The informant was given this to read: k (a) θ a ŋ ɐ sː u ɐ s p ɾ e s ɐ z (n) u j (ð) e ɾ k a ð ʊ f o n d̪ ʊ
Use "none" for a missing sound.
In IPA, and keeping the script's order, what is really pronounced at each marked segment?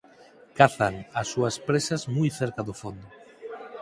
a, m, θ

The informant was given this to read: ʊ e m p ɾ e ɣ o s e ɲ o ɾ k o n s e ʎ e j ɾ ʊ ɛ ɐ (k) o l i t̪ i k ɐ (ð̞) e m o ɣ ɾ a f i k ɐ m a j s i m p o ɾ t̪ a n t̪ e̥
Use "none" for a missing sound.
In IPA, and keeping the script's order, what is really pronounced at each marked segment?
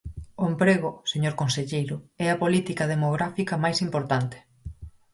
p, ð̞

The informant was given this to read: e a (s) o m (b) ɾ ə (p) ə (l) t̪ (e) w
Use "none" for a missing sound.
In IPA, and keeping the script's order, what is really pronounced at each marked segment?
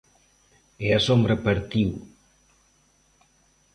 s, b, p, ɾ, i

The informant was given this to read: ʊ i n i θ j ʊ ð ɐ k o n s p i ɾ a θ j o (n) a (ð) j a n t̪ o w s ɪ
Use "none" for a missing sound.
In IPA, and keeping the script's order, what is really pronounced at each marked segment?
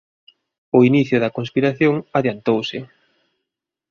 ŋ, ð

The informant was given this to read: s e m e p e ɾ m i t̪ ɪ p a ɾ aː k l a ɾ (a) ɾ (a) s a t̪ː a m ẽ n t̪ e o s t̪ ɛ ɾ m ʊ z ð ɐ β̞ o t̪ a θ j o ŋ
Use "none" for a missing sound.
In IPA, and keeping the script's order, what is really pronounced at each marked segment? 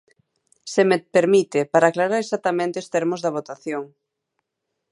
a, e

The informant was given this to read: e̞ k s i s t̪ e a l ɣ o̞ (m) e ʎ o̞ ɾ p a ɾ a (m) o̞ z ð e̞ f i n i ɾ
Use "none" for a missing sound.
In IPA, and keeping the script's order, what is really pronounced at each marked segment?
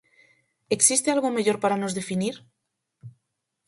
m, n

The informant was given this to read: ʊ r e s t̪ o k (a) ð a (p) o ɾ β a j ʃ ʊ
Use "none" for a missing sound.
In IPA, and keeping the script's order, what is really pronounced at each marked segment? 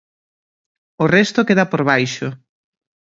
e, p

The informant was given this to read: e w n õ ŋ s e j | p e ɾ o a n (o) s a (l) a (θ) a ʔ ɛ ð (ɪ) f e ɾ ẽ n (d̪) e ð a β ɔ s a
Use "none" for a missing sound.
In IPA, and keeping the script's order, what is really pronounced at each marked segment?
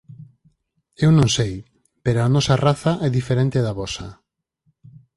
ɔ, r, θ, i, t̪

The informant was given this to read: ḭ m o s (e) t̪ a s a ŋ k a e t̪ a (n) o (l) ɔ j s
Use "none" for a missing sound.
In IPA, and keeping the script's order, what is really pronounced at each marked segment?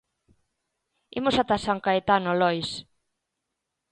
a, n, l

